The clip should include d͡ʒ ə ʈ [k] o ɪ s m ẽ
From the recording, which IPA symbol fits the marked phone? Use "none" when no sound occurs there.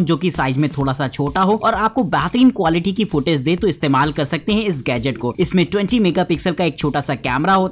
k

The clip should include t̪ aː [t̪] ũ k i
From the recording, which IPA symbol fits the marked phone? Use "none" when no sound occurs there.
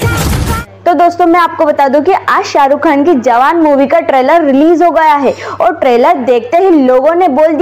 d̪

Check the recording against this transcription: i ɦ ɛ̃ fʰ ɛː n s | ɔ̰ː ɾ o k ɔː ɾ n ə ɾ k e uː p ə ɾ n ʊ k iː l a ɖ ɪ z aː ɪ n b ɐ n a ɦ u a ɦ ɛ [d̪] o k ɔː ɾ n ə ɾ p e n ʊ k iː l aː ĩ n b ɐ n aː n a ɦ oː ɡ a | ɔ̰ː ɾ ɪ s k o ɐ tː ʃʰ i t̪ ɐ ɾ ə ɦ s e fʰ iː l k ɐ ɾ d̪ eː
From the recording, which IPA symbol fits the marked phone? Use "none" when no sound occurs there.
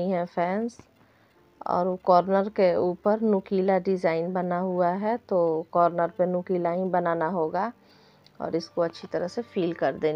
t̪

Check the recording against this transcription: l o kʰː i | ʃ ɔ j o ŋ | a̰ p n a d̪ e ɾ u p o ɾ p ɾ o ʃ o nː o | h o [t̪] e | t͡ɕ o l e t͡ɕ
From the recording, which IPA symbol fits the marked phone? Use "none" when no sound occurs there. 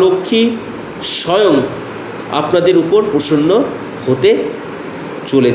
t̪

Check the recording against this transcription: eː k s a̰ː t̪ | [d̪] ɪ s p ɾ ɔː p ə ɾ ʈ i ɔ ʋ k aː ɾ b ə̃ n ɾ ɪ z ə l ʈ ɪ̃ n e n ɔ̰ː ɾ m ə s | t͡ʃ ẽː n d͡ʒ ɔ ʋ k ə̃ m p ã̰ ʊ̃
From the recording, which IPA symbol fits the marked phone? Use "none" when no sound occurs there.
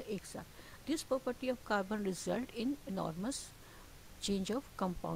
d̪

